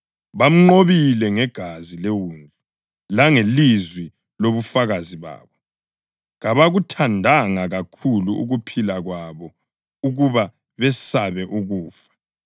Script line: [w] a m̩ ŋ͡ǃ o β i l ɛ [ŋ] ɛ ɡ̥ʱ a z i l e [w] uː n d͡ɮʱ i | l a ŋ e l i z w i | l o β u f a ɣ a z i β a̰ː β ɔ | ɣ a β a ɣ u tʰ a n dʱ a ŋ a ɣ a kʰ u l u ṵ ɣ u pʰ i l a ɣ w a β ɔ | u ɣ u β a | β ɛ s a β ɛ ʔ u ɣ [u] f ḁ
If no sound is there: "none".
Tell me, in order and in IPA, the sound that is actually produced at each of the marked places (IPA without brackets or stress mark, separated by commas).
β, ŋ, w, uː